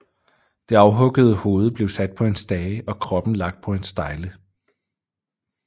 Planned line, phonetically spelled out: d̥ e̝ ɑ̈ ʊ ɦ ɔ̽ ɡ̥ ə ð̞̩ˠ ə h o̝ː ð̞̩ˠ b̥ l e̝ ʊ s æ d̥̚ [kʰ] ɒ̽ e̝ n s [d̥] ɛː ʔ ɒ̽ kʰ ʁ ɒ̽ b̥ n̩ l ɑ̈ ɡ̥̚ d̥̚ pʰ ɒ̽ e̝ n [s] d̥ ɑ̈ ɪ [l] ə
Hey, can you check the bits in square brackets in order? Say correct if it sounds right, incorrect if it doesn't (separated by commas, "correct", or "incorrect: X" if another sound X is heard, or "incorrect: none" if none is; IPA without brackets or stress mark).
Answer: incorrect: pʰ, correct, correct, correct